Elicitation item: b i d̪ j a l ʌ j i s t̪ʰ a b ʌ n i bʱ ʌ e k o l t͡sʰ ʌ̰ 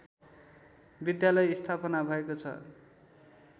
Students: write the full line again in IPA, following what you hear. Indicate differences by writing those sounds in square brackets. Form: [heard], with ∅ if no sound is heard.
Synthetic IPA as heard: b i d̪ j a l ʌ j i s t̪ʰ a [p] ʌ n [a] bʱ ʌ e k o [∅] t͡sʰ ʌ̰